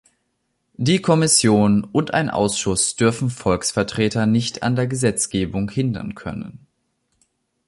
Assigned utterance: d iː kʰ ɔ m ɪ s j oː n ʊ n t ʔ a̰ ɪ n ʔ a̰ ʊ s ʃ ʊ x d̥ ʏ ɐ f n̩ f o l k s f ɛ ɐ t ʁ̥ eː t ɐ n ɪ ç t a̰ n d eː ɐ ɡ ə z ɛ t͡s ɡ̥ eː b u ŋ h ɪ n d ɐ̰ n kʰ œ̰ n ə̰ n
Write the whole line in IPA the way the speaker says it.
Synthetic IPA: d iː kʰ ɔ m ɪ s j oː n ʊ n t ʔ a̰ ɪ n ʔ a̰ ʊ s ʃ ʊ s d̥ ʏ ɐ f n̩ f ɔ l k s f ɛ ɐ t ʁ̥ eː t ɐ n ɪ ç t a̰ n d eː ɐ ɡ ə z ɛ t͡s ɡ̥ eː b ʊ ŋ h ɪ n d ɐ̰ n kʰ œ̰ n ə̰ n